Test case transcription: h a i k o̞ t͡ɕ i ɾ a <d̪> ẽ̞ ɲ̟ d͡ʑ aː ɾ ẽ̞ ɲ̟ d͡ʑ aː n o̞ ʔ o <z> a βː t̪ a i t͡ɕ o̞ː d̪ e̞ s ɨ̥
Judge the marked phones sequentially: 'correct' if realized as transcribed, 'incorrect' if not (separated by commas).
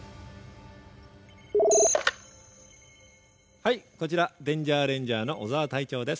correct, correct